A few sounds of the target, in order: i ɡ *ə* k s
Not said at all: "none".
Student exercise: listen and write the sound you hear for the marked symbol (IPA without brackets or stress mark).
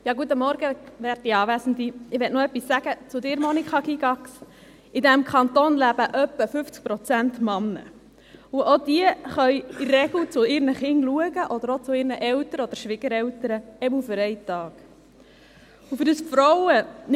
ɑ